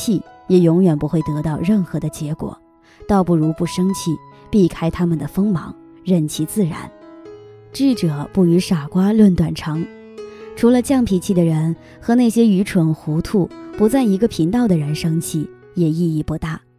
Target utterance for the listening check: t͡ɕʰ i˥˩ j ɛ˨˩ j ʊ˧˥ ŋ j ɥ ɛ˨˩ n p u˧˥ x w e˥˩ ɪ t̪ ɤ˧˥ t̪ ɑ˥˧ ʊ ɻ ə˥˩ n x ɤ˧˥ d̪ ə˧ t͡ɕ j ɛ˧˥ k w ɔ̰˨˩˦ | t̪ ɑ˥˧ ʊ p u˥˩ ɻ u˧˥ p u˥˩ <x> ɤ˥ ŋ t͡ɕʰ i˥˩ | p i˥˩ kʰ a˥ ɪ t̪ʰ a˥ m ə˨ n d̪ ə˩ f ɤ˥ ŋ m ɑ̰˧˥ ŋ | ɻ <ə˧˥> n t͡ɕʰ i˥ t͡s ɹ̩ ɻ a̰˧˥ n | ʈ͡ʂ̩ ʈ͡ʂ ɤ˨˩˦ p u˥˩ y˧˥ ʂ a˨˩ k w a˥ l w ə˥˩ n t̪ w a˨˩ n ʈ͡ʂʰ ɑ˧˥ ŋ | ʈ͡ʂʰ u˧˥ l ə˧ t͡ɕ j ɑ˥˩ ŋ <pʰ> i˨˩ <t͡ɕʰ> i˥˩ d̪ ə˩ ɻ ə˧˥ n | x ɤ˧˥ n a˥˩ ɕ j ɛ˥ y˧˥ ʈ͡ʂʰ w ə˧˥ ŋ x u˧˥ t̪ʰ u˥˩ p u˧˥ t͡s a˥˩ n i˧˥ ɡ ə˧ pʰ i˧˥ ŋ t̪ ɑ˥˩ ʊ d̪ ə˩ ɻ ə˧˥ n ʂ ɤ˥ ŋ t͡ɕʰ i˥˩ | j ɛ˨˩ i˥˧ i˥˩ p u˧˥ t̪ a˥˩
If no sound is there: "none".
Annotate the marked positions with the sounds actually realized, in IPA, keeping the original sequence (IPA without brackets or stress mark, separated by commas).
ʂ, ə˥˩, pʰ, t͡ɕʰ